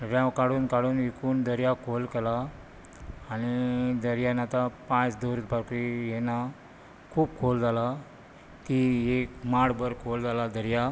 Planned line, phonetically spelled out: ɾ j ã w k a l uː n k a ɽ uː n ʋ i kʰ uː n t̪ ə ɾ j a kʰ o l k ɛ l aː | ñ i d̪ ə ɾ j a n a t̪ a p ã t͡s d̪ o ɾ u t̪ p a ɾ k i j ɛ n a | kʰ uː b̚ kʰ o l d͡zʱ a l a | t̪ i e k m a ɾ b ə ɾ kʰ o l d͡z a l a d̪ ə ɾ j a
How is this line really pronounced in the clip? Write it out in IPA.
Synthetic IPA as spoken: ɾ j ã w k a ɽ uː n k a ɽ uː n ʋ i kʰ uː n d̪ ə ɾ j a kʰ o l k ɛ l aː | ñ i d̪ ə ɾ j a n a t̪ a p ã t͡s d̪ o ɾ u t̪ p a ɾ k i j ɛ n a | kʰ uː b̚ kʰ o l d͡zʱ a l a | t̪ i e k m a ɽ b ə ɾ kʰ o l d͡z a l a d̪ ə ɾ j a